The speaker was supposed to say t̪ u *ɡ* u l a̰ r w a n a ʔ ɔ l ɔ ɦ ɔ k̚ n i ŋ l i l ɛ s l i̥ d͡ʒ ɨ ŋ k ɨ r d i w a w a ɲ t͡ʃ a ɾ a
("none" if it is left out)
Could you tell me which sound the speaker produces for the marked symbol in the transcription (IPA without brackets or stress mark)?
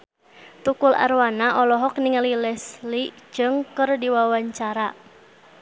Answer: k